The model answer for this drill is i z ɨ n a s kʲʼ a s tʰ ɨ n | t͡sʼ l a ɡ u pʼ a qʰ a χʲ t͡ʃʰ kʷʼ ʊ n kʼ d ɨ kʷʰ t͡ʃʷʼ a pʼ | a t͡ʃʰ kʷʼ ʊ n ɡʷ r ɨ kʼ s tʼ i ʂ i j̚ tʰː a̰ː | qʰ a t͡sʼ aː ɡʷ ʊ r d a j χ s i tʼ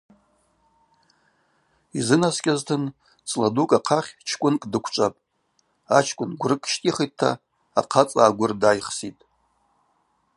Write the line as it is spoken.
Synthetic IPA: i z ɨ n a s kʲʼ a z tʰ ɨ n | t͡sʼ l a d u kʼ a qʰ a χʲ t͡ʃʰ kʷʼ ʊ n kʼ d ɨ kʷʰ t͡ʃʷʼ a pʼ | a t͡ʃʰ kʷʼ ʊ n ɡʷ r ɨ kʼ ʃ tʼ i χ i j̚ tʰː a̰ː | qʰ a t͡sʼ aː ɡʷ ʊ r d a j χ s i tʼ